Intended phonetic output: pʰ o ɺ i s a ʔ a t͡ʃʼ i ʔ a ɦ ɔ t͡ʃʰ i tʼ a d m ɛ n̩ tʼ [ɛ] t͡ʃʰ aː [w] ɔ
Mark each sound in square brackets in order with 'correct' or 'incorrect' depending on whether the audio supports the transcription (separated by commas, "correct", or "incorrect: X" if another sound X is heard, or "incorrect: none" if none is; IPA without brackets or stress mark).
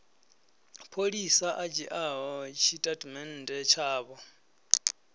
correct, incorrect: β